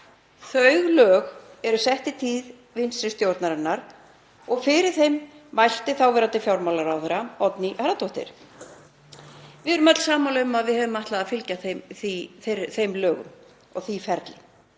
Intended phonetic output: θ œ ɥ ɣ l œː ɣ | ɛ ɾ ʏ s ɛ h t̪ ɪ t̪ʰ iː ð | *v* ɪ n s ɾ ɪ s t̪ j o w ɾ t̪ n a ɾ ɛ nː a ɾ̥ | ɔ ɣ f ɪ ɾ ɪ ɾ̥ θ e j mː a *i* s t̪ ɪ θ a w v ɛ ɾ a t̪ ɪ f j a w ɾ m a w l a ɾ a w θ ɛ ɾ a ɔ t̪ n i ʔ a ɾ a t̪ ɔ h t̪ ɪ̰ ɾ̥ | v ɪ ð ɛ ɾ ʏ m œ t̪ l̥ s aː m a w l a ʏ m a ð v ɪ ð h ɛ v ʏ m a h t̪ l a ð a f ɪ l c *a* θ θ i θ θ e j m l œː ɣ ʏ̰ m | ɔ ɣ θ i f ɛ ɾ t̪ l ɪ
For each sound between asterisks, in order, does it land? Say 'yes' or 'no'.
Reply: yes, no, yes

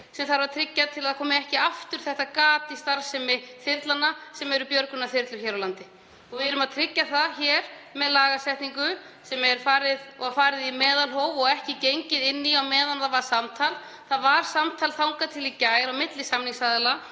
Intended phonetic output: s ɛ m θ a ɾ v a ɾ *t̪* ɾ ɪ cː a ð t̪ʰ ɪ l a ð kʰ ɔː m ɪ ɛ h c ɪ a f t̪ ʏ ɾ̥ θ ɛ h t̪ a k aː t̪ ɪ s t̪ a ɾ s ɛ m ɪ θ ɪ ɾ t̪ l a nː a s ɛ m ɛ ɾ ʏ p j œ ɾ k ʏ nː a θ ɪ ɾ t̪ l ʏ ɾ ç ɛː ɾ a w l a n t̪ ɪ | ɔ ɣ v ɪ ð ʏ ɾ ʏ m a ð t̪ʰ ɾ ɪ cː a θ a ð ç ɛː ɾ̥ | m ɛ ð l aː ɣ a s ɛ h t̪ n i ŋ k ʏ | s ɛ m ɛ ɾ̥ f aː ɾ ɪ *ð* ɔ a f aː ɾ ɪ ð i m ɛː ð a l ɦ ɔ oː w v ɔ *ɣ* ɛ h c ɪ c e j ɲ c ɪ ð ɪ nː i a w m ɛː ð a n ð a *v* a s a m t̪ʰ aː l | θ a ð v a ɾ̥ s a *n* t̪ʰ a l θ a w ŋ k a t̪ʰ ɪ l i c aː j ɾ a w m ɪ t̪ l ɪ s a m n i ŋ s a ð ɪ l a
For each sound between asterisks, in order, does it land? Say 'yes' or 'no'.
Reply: no, yes, yes, yes, no

